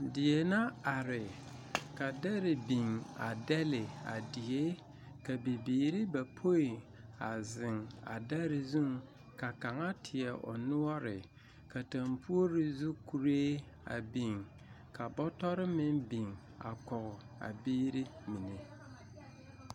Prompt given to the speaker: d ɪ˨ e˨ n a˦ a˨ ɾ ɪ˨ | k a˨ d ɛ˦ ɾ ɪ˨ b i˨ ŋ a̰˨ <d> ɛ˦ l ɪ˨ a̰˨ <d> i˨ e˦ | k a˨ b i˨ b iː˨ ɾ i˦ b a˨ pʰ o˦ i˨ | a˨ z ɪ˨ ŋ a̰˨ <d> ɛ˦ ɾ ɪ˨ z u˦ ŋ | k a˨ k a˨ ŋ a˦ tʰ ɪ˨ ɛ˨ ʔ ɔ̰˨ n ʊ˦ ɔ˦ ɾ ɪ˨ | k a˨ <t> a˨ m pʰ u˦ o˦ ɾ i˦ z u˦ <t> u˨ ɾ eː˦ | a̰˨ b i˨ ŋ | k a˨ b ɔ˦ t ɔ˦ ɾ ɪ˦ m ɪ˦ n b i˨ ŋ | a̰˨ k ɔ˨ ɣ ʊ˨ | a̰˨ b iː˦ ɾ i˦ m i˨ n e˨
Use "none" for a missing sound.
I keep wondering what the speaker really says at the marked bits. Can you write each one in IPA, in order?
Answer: d, d, d, t, k

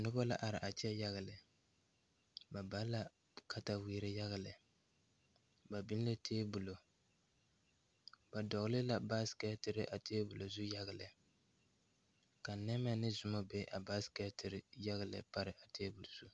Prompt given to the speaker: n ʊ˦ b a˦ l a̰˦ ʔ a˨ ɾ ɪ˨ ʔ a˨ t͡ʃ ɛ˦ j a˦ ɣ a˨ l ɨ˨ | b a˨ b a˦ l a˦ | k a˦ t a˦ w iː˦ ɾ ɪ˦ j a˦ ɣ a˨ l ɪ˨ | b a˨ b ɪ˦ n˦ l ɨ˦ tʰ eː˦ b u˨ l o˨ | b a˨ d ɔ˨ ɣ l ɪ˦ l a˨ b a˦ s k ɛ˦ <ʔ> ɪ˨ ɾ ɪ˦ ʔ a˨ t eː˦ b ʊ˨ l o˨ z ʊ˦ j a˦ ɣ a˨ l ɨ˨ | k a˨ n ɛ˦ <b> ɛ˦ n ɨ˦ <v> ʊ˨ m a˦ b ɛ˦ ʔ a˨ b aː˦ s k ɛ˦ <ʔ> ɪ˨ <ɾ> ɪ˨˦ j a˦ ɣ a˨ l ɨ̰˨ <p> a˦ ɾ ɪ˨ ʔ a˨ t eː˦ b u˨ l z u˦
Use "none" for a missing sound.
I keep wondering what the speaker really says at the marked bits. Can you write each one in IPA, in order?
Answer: t, m, z, t, ɾ, p

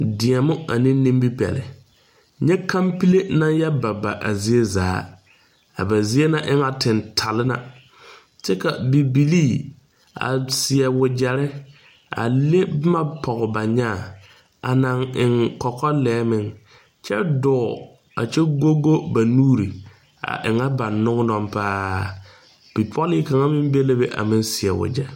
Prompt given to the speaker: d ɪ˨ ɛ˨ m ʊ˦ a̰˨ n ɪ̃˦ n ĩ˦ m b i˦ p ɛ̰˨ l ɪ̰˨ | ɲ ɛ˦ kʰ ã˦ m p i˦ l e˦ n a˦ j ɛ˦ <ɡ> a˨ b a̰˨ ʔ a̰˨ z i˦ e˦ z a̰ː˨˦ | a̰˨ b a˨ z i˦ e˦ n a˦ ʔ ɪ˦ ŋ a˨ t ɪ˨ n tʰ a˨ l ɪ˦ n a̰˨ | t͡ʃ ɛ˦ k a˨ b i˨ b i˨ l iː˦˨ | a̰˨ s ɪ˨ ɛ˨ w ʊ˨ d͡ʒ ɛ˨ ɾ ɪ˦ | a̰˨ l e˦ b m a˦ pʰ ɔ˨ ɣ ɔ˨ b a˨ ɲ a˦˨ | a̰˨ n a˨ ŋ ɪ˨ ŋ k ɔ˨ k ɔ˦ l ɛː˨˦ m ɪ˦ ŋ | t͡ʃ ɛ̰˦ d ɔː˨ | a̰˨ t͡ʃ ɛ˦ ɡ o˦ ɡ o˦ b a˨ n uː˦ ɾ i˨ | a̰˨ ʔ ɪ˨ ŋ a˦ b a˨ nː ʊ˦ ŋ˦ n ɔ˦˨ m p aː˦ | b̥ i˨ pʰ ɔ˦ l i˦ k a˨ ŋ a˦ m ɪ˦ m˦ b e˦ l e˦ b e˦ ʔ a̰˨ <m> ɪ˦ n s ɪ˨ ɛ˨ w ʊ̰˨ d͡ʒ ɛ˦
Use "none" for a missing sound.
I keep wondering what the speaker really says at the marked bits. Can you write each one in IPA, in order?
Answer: b, m

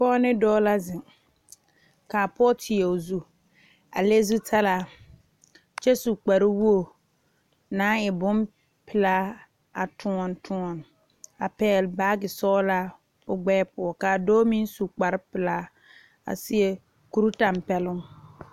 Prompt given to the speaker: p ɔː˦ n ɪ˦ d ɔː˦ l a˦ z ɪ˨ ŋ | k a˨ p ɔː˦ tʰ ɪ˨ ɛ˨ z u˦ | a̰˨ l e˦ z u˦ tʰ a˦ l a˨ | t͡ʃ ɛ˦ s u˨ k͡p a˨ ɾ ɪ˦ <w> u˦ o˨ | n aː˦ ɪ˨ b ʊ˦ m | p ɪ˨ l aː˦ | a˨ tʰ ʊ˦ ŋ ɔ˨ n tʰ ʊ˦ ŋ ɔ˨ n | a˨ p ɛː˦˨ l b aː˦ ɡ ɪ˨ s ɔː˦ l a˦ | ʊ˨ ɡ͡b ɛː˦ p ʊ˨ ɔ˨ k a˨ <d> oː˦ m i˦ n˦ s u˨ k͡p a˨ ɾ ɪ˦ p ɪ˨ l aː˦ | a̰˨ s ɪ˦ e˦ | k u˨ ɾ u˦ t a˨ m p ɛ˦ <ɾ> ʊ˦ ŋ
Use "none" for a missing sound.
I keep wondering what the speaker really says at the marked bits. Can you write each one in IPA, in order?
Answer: w, d, l

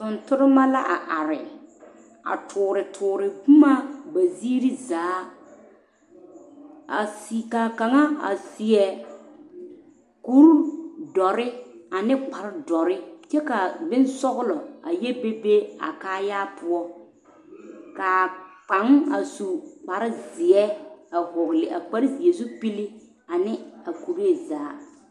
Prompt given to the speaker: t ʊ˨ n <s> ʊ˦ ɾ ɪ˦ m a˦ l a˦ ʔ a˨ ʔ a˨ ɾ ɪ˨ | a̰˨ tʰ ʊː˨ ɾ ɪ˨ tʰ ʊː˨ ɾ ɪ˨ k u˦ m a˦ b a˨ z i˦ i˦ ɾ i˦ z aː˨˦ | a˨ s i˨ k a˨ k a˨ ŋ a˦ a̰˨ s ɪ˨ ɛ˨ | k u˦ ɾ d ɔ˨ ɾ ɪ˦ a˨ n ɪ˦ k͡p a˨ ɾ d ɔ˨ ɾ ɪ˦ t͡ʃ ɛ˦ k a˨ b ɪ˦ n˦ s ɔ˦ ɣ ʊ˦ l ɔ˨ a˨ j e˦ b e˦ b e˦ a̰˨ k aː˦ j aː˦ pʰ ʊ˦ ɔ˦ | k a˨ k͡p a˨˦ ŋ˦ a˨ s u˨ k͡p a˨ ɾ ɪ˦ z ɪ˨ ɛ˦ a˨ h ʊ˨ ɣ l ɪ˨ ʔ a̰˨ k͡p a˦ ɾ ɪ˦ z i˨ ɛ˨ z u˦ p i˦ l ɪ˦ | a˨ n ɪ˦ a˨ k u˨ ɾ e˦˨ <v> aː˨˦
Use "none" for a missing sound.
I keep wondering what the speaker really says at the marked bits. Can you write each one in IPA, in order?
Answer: t, z

